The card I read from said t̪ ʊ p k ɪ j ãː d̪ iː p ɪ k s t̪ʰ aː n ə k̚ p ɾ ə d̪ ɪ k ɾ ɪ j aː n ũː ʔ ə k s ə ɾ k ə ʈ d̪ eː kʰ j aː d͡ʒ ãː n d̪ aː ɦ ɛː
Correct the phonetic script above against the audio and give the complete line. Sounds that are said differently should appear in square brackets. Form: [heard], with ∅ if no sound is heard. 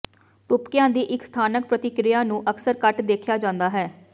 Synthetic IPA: t̪ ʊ p k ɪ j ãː d̪ iː [ʔ] ɪ k s t̪ʰ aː n ə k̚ p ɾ ə [t̪] ɪ k ɾ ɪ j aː n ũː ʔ ə k s ə ɾ k ə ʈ d̪ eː kʰ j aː d͡ʒ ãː n d̪ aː ɦ ɛː